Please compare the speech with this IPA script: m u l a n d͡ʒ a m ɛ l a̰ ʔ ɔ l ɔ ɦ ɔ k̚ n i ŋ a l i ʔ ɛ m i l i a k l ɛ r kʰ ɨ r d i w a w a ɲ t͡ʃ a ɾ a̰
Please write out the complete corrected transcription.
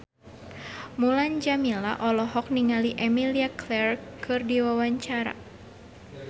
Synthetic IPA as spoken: m u l a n d͡ʒ a m i l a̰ ʔ ɔ l ɔ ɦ ɔ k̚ n i ŋ a l i ʔ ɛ m i l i a k l ɛ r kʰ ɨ r d i w a w a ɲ t͡ʃ a ɾ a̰

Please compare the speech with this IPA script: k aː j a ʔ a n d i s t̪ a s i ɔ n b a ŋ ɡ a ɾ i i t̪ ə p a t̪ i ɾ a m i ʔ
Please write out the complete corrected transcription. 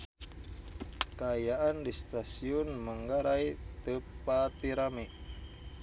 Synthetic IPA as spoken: k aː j a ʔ a n d i s t̪ a s i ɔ n m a ŋ ɡ a ɾ a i t̪ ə p a t̪ i ɾ a m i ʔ

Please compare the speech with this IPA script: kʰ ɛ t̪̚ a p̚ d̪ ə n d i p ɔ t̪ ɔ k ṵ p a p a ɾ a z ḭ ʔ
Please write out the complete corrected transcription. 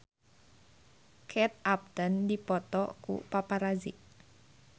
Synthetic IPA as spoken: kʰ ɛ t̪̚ a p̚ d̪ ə n d i p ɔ t̪ ɔ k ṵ p a p a ɾ a z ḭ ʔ

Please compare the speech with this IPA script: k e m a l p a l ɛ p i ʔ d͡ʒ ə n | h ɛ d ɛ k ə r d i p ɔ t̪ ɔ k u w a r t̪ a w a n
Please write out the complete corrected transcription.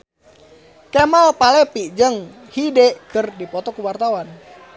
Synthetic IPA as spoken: k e m a l p a l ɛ p i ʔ d͡ʒ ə ŋ | h i d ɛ k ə r d i p ɔ t̪ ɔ k u w a r t̪ a w a n

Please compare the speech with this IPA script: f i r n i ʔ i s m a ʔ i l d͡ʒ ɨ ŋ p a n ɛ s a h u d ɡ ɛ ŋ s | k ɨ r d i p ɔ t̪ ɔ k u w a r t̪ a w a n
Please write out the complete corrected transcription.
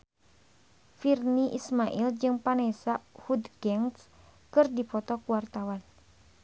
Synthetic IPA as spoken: f i r n i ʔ i s m a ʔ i l d͡ʒ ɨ ŋ p a n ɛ s a h u d ɡ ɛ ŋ s | k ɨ r d i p ɔ t̪ ɔ k u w a r t̪ a w a n

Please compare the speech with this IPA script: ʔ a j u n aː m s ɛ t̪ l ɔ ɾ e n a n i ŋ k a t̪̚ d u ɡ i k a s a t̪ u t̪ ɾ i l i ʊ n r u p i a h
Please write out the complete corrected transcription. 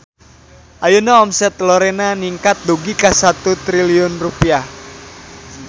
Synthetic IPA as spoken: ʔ a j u n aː m s ɛ t̪ l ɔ ɾ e n a n i ŋ k a t̪̚ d u ɡ i k a s a t̪ u t̪ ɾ i l i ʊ n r u p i a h

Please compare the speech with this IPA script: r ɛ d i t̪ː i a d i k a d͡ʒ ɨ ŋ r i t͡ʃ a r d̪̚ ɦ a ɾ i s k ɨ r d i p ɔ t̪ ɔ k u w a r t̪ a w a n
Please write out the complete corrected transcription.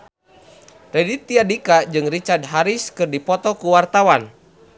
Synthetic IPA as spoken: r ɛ d i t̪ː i a d i k a d͡ʒ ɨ ŋ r i t͡ʃ a r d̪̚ ɦ a ɾ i s k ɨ r d i p ɔ t̪ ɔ k u w a r t̪ a w a n

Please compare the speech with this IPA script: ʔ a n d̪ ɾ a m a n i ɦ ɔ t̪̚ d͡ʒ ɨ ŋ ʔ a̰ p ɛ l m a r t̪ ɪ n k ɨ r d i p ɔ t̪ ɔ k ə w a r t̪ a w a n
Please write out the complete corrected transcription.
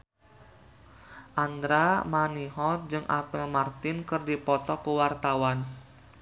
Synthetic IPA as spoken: ʔ a n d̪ ɾ a m a n i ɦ ɔ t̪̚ d͡ʒ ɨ ŋ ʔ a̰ p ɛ l m a r t̪ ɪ n k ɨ r d i p ɔ t̪ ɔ k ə w a r t̪ a w a n

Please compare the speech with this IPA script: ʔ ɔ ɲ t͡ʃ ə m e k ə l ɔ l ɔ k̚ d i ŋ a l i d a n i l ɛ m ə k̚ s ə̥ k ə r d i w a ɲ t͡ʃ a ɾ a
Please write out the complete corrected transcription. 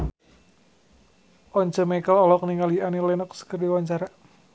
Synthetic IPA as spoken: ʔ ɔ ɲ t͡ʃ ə m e k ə l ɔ l ɔ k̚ n i ŋ a l i a n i l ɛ n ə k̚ s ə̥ k ə r d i w a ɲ t͡ʃ a ɾ a

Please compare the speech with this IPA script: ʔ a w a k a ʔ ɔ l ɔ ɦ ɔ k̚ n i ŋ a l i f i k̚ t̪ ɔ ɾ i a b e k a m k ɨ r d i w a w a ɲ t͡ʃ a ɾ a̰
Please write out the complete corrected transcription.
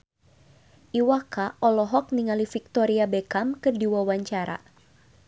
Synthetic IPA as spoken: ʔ i w a k a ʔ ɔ l ɔ ɦ ɔ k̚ n i ŋ a l i f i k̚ t̪ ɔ ɾ i a b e k a m k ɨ r d i w a w a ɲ t͡ʃ a ɾ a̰

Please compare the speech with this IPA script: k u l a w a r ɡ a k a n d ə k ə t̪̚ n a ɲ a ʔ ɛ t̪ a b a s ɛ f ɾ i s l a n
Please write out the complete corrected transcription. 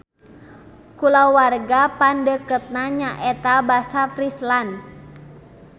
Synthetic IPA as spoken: k u l a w a r ɡ a p a n d ə k ə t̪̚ n a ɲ a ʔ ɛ t̪ a b a s a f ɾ i s l a n

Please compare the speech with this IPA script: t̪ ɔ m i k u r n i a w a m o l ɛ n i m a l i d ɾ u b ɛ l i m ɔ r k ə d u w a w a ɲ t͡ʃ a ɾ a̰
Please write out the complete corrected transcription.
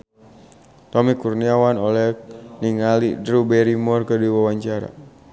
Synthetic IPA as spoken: t̪ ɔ m i k u r n i a w a n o l ɛ n i ŋ a l i d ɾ u b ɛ ɾ i m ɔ r k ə d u w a w a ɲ t͡ʃ a ɾ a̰

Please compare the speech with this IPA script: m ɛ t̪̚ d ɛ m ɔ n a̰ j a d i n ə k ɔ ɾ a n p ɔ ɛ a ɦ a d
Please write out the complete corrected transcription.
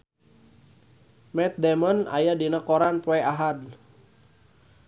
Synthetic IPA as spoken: m ɛ t̪̚ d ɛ m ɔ n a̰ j a d i n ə k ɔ ɾ a n p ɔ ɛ a ɦ a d

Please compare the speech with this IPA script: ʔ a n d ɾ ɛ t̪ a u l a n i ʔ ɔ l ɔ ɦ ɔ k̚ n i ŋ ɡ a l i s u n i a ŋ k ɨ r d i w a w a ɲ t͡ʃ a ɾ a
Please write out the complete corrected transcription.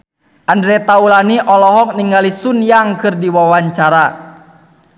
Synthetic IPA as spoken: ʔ a n d ɾ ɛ t̪ a u l a n i ʔ ɔ l ɔ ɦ ɔ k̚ n i ŋ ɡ a l i s u n j a ŋ k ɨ r d i w a w a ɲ t͡ʃ a ɾ a

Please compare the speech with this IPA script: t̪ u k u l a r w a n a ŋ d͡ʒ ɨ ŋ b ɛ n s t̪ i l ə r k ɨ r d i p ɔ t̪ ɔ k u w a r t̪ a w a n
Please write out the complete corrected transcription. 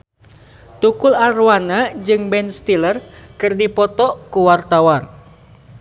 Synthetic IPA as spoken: t̪ u k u l a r w a n a d͡ʒ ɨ ŋ b ɛ n s t̪ i l ə r k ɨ r d i p ɔ t̪ ɔ k u w a r t̪ a w a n

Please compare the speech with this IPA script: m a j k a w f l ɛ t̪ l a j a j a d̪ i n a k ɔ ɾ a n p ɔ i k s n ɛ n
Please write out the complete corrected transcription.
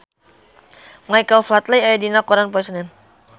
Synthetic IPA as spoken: m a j k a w f l a t̪ l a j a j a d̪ i n a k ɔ ɾ a n p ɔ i s n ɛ n

